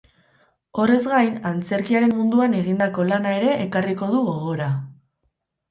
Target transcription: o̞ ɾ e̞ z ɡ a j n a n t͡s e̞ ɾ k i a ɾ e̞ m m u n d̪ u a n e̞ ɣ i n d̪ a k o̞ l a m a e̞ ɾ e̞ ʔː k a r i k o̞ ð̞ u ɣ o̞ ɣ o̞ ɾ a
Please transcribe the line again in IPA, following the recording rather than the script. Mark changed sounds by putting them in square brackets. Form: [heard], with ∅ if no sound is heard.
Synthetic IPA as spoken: o̞ [r] e̞ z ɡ a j n a n t͡s e̞ ɾ k i a ɾ e̞ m m u n d̪ u a n e̞ ɣ i n d̪ a k o̞ l a [n] a e̞ ɾ e̞ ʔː k a r i k o̞ ð̞ u ɣ o̞ ɣ o̞ ɾ a